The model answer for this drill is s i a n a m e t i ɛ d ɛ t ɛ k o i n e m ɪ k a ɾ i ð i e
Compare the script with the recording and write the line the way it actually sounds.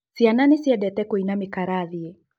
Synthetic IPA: s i a n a n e s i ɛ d ɛ t ɛ k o i n a m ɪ k a ɾ a ð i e